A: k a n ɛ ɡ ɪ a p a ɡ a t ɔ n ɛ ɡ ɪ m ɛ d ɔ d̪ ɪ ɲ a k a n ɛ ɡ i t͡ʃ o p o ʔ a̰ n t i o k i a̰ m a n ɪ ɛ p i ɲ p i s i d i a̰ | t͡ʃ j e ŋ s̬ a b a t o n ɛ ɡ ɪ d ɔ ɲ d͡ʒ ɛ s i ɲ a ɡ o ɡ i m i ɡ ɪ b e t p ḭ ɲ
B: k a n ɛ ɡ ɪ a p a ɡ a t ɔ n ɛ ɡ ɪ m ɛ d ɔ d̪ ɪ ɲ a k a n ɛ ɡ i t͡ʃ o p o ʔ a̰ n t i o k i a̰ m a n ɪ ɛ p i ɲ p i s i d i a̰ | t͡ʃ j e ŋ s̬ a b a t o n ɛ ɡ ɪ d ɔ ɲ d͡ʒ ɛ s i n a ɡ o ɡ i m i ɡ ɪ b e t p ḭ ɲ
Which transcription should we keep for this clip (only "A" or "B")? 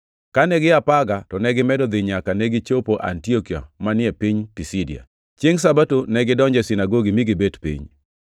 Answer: B